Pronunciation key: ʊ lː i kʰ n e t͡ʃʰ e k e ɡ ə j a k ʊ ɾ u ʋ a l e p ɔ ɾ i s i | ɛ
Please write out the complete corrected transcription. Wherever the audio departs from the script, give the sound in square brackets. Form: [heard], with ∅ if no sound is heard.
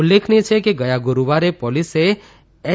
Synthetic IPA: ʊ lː [e] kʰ n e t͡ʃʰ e k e ɡ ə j a [ɡ] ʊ ɾ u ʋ a [ɾ] e p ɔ [l] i s [e] | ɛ